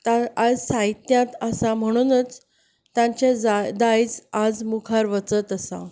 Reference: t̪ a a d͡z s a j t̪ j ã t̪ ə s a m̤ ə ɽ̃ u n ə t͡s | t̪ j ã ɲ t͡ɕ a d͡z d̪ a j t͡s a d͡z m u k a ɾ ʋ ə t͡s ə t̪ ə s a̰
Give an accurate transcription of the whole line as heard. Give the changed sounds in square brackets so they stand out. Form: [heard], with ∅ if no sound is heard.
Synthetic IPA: t̪ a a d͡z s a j t̪ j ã t̪ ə s a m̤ ə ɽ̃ u n ə t͡s | t̪ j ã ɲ t͡ɕ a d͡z d̪ a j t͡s a d͡z m u [kʰ] a ɾ ʋ ə t͡s ə t̪ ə s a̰